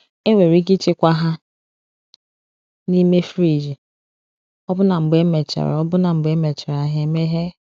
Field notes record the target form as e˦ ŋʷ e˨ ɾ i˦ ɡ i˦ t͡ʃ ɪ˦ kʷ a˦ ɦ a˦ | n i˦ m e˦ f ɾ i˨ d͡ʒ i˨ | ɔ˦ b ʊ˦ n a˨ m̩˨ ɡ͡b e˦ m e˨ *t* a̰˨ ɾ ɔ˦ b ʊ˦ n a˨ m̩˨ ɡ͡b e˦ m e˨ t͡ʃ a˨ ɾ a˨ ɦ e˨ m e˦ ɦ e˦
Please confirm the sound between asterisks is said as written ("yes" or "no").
no